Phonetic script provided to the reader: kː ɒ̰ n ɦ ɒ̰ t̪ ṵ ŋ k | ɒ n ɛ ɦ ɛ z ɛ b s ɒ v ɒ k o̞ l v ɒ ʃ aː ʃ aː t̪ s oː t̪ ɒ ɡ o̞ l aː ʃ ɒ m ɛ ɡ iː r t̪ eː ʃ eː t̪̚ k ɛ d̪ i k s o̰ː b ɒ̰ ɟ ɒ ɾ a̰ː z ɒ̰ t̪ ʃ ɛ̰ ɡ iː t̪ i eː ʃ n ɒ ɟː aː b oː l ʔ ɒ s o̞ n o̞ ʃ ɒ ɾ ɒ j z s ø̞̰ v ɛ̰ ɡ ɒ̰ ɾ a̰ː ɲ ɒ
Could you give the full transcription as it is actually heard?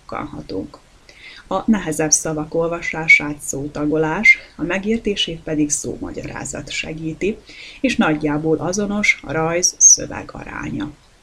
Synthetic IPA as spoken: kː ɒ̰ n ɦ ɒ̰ t̪ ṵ ŋ k | ɒ n ɛ ɦ ɛ z ɛ b s ɒ v ɒ k o̞ l v ɒ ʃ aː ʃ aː t̪ s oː t̪ ɒ ɡ o̞ l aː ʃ ɒ m ɛ ɡ iː r t̪ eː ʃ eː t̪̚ p ɛ d̪ i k s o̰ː m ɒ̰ ɟ ɒ ɾ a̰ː z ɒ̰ t̪ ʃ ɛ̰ ɡ iː t̪ i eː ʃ n ɒ ɟː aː b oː l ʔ ɒ z o̞ n o̞ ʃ ɒ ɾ ɒ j z s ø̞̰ v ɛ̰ ɡ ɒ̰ ɾ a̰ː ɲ ɒ